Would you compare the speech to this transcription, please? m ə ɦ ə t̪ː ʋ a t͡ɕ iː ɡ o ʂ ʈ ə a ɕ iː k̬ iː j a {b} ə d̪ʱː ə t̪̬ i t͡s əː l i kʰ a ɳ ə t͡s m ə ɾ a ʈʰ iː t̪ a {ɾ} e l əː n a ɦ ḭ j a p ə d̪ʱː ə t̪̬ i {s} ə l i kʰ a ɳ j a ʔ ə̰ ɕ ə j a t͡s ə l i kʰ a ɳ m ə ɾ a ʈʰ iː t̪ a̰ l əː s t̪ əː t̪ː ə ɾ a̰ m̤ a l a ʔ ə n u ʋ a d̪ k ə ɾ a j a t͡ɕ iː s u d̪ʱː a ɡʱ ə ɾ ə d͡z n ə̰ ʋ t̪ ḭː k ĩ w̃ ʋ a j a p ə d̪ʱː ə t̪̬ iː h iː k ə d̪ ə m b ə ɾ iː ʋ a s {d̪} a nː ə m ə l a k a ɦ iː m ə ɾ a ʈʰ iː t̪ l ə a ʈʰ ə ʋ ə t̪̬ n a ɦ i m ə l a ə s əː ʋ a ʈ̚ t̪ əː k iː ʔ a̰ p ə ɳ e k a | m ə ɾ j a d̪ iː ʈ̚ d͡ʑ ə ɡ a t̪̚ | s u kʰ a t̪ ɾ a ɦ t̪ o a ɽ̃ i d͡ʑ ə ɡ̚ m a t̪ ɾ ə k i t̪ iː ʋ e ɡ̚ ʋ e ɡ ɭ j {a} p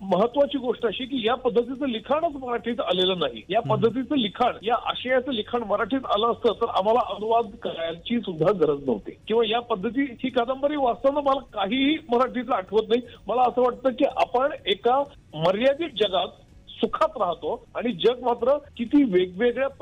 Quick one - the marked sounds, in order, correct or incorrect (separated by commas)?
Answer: incorrect, incorrect, incorrect, incorrect, correct